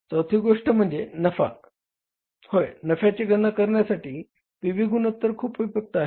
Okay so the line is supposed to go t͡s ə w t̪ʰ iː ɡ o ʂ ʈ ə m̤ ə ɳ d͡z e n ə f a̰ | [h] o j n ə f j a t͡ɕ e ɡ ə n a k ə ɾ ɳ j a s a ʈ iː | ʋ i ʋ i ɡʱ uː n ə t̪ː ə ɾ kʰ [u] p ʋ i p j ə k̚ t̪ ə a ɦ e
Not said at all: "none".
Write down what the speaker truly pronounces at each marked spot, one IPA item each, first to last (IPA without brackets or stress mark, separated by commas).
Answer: h, uː